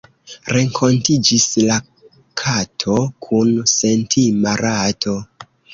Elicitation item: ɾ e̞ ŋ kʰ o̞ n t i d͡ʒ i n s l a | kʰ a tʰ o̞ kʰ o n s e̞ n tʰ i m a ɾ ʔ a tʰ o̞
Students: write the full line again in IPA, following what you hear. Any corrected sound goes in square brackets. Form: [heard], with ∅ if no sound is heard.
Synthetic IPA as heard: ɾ e̞ ŋ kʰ o̞ n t i d͡ʒ i [∅] s l a | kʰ a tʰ o̞ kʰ [u] n s e̞ n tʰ i m a ɾ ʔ a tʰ o̞